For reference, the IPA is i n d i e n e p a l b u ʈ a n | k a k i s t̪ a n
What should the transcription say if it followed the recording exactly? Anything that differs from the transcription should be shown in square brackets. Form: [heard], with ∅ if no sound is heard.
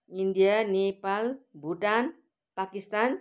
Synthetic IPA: i n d i [a] n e p a l b u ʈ a n | [p] a k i s t̪ a n